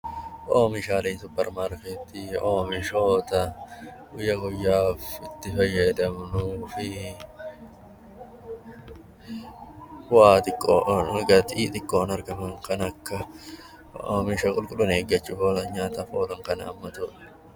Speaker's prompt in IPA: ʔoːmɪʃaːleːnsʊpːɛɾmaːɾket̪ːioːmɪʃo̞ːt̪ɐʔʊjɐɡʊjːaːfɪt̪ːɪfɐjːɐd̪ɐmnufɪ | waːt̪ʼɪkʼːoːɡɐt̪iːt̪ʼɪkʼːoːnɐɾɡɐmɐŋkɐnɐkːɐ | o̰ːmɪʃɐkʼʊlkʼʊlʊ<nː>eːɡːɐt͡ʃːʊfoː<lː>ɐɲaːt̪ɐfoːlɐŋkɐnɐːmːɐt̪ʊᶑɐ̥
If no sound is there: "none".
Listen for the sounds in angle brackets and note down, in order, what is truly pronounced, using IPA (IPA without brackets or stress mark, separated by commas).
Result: n, l